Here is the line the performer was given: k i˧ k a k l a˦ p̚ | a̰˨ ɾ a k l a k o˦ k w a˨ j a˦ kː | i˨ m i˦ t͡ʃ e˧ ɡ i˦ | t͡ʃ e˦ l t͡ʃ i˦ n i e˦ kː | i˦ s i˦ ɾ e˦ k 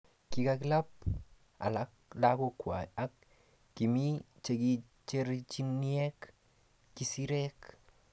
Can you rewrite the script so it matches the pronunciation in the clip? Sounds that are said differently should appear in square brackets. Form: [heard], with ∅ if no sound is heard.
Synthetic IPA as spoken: k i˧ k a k l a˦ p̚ | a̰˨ [l] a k l a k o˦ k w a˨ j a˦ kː | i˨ m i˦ t͡ʃ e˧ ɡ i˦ | t͡ʃ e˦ [ɾ] t͡ʃ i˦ n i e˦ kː | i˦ s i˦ ɾ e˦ k